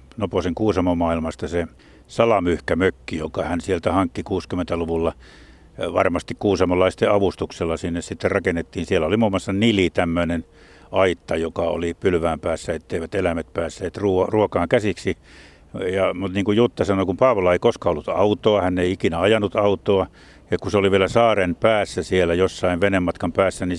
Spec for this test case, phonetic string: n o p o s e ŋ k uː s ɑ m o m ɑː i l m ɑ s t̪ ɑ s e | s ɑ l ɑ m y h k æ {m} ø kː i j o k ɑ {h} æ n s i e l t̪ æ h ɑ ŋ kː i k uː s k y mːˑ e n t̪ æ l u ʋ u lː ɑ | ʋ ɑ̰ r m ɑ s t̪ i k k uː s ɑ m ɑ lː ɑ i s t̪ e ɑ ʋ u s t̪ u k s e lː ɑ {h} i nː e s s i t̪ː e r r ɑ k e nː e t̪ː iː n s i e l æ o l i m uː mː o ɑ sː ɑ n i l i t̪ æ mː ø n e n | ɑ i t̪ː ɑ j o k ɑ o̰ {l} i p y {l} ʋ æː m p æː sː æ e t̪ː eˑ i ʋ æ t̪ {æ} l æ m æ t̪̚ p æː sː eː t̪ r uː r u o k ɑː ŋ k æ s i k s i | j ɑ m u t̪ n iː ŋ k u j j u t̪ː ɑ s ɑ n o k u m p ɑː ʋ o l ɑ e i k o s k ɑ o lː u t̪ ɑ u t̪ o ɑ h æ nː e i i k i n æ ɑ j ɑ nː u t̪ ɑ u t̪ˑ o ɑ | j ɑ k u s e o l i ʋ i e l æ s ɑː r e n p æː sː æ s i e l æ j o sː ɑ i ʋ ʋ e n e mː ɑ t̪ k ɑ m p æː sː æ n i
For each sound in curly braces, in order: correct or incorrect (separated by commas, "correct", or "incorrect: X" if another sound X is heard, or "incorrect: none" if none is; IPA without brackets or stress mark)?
correct, correct, incorrect: s, correct, correct, incorrect: e